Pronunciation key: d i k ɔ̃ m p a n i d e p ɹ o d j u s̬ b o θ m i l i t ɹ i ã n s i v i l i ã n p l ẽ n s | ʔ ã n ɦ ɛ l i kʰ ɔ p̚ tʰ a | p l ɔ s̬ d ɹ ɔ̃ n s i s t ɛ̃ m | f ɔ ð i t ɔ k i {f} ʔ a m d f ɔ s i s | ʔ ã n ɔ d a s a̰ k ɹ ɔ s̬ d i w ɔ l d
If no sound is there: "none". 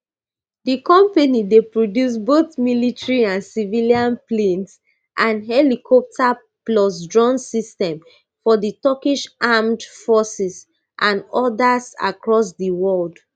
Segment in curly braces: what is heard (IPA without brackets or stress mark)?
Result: ʃ